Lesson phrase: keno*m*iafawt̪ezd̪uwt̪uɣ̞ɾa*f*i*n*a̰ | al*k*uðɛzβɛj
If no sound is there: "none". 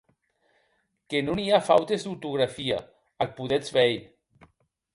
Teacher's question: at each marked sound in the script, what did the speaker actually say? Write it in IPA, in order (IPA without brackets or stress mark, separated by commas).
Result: n, f, none, p